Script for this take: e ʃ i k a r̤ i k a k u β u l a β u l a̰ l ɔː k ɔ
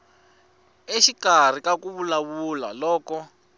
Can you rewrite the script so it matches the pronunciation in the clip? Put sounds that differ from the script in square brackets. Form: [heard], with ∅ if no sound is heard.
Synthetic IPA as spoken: e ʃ i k a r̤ i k a k u β u l a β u l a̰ l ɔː k ɔ